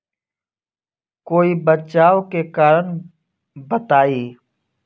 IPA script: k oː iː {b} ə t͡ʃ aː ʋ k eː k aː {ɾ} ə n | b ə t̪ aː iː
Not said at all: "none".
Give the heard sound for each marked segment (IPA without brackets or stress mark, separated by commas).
b, ɾ